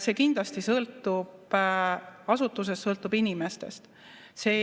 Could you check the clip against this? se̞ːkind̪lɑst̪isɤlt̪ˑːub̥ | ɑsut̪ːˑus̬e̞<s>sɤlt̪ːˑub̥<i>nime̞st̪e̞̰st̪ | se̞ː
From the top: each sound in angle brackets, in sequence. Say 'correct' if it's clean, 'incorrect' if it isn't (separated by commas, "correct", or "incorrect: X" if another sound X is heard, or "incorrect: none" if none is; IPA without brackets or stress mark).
correct, correct